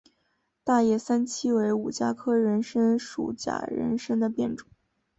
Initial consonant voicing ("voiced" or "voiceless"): voiceless